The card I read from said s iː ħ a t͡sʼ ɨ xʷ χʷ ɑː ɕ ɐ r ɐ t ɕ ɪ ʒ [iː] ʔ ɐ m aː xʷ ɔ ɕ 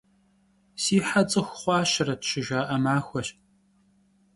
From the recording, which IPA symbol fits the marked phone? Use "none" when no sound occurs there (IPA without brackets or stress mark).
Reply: aː